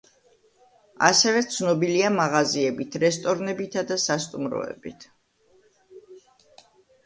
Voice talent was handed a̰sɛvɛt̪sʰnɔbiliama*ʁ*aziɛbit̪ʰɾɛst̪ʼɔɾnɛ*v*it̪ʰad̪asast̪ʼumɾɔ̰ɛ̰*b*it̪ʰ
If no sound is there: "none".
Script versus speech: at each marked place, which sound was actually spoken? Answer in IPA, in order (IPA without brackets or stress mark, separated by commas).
ʁ, b, b